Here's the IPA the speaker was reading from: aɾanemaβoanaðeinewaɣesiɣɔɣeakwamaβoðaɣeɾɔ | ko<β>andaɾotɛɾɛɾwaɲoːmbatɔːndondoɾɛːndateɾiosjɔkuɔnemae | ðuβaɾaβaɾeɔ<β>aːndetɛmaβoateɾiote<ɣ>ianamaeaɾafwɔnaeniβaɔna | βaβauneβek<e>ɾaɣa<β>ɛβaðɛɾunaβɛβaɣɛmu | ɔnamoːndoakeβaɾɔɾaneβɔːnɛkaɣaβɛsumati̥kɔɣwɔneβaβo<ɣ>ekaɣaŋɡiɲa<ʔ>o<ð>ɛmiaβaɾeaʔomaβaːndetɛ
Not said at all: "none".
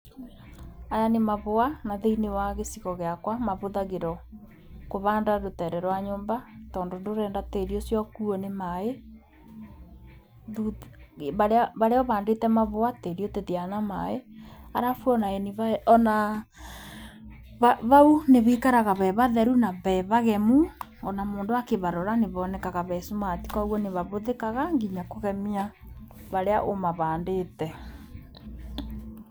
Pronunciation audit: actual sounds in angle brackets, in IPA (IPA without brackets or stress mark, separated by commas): β, β, ð, a, β, ð, k, ɣ